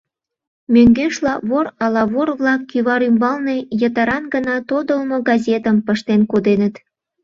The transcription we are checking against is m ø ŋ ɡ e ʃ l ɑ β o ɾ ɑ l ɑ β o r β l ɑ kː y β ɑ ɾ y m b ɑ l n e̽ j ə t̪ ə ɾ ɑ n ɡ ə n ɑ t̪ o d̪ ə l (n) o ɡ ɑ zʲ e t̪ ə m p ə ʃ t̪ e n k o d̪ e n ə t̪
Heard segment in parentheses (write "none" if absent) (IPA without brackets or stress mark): m